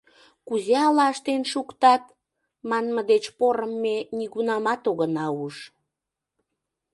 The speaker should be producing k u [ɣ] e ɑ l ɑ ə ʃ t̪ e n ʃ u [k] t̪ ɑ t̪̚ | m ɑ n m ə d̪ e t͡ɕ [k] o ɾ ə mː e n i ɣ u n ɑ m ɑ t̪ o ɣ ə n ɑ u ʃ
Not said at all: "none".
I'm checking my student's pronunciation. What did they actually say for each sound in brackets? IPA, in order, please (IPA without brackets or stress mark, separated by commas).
z, k, p